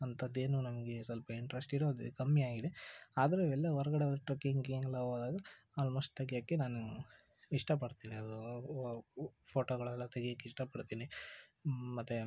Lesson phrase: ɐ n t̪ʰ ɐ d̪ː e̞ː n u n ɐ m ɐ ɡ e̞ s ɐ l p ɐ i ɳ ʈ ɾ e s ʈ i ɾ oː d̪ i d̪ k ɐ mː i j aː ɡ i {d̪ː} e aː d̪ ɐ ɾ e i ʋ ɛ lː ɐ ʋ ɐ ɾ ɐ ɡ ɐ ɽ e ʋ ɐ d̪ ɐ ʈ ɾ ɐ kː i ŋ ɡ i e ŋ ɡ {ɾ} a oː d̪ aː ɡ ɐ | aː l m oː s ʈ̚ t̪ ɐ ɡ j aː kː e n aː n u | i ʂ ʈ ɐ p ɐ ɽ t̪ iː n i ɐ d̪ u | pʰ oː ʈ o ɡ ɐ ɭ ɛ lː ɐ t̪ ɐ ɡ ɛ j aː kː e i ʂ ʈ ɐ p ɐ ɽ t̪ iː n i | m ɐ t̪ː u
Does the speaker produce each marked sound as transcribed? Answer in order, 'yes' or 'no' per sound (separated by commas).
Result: no, no